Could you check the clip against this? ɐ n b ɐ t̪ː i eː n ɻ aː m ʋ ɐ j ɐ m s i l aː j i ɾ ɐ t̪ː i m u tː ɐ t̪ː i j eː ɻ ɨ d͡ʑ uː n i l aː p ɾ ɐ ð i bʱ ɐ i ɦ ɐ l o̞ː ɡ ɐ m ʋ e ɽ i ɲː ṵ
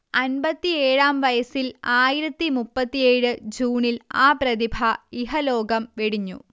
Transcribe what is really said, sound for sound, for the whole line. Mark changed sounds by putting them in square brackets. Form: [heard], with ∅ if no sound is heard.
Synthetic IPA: ɐ n b ɐ t̪ː i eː [∅] ɻ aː m ʋ ɐ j ɐ [∅] s i l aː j i ɾ ɐ t̪ː i m u [pː] ɐ t̪ː i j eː ɻ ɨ d͡ʑ uː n i l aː p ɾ ɐ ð i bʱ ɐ i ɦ ɐ l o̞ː ɡ ɐ m ʋ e ɽ i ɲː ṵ